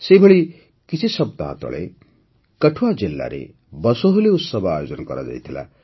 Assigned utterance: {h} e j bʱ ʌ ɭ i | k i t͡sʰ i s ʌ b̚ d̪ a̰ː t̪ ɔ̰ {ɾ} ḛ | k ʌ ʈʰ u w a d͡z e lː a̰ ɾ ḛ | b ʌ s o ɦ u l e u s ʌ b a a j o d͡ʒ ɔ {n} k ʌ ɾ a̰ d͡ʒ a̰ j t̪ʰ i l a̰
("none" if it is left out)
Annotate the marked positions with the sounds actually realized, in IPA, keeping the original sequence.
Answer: s, ɭ, n

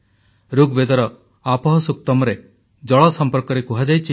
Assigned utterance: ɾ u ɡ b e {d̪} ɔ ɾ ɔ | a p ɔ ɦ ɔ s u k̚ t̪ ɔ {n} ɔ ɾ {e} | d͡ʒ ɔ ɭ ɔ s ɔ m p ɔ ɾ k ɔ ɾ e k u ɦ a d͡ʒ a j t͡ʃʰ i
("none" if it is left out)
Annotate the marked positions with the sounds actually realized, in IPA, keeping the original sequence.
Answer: d̪, m, e

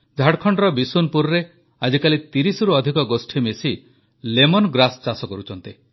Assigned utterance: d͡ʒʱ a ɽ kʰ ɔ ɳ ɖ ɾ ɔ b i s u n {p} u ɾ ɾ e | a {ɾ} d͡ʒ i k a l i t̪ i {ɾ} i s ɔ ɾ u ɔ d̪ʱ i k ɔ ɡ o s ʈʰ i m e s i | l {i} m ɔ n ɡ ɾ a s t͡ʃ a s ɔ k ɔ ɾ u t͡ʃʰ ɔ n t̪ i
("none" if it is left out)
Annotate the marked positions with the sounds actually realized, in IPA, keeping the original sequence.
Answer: p, none, ɾ, e

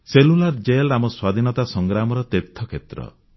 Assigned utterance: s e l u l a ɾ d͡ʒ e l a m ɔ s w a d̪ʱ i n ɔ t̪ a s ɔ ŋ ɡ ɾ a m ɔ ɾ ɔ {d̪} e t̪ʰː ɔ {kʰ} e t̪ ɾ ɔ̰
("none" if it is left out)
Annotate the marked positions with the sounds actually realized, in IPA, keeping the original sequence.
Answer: t̪, kʰ

